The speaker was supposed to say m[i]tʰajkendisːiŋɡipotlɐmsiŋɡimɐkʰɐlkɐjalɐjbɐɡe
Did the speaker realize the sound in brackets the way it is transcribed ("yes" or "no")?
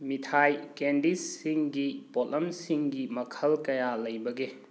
yes